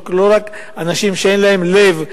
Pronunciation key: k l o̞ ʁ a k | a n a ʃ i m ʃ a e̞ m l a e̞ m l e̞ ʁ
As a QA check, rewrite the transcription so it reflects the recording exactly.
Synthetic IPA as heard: k l o̞ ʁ a k | a n a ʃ i m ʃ e e̞ n l a e̞ m l e̞ v